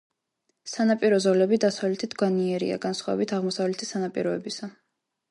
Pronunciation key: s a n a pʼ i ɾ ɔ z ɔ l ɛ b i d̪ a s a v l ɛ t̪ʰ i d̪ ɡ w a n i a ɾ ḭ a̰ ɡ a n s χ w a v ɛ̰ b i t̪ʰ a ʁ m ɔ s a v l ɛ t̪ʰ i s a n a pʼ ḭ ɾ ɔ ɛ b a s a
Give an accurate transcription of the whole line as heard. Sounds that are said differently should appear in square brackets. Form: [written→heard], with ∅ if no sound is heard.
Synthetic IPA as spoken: s a n a pʼ i ɾ ɔ z ɔ l ɛ b i d̪ a s a v l ɛ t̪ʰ i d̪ ɡ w a n i [a→ɛ] ɾ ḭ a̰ ɡ a n s χ w a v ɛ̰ b i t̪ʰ a ʁ m ɔ s a v l ɛ t̪ʰ i s a n a pʼ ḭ ɾ ɔ ɛ b [a→i] s a